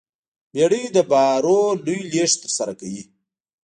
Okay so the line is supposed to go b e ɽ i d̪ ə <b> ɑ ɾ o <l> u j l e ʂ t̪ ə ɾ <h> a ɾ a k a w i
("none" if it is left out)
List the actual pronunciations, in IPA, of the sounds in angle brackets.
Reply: b, l, s

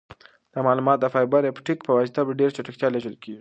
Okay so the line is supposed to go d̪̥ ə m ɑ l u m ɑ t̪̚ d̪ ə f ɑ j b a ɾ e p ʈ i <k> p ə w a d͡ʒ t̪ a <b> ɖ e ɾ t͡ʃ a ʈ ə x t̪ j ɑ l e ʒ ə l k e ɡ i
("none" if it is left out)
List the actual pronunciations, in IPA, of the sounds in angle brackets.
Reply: k, b

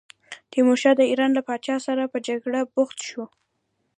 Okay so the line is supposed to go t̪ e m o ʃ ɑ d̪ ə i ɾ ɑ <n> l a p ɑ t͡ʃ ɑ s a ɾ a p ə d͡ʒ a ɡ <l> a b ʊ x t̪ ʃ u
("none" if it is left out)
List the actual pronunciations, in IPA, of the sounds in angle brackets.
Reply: n, ɽ

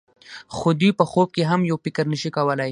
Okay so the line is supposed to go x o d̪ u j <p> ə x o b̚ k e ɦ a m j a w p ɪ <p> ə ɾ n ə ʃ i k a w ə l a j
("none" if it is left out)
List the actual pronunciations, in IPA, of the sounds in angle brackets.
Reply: p, k

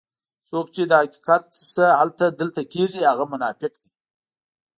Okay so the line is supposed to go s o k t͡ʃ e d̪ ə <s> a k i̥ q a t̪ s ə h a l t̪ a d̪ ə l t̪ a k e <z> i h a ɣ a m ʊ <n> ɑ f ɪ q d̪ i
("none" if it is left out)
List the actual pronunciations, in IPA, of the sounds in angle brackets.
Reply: h, ʐ, n

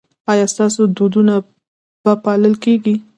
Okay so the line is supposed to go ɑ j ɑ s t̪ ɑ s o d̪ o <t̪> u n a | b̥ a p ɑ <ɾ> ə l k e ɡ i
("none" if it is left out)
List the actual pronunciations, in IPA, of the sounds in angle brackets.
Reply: d̪, l

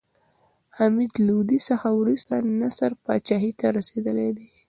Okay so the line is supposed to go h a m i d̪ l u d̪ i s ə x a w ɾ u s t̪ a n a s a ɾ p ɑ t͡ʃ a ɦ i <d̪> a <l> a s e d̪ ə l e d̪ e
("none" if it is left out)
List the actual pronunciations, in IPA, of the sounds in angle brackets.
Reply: t̪, ɾ

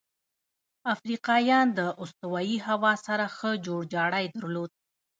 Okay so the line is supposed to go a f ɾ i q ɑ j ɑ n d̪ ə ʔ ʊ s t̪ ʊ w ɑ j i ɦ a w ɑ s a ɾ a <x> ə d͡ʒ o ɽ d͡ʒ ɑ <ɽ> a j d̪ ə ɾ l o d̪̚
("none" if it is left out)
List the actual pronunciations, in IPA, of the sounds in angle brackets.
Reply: x, ɽ

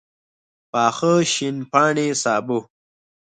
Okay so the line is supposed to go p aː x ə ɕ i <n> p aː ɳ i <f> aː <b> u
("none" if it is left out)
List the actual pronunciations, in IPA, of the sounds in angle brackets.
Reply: n, s, b

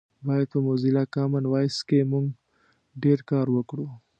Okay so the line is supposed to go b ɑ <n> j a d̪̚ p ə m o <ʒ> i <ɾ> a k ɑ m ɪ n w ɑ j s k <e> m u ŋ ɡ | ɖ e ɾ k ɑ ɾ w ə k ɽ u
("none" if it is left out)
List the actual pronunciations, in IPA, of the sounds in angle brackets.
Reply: none, z, l, e

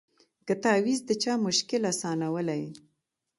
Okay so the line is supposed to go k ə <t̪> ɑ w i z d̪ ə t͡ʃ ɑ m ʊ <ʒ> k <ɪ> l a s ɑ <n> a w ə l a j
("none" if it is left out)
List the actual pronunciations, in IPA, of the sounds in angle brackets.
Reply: t̪, ʃ, ɪ, n

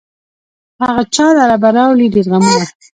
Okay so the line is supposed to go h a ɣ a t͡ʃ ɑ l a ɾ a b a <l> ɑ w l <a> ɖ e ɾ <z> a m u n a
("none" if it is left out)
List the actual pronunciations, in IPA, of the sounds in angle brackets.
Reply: ɾ, i, ɣ

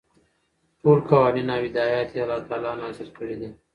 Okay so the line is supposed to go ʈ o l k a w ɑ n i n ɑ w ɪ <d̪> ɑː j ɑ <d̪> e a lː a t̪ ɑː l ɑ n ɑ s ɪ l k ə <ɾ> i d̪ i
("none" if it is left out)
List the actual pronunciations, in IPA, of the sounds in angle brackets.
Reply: d̪, t̪, ɽ

